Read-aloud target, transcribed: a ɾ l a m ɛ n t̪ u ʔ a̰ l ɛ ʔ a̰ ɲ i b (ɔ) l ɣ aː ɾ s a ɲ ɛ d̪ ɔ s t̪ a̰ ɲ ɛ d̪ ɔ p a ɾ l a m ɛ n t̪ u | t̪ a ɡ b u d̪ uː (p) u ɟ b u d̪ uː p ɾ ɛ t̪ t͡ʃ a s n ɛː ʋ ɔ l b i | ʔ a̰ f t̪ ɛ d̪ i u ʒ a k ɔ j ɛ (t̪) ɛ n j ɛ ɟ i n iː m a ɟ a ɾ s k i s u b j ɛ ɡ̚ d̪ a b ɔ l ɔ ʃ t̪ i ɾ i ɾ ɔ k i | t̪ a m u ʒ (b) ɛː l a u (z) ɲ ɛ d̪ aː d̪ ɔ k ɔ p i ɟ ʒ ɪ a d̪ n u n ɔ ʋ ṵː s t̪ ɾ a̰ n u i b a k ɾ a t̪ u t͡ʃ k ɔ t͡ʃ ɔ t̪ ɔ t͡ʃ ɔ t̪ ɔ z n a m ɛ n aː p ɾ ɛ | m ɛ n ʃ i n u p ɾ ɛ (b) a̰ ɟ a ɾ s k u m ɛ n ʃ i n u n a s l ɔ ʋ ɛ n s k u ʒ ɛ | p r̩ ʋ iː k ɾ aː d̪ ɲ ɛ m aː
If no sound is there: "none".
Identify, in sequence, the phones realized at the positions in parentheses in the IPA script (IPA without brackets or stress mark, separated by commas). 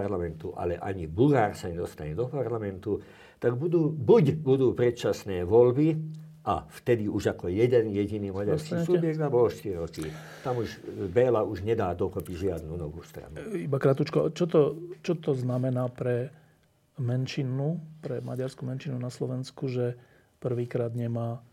u, b, d̪, b, ʒ, m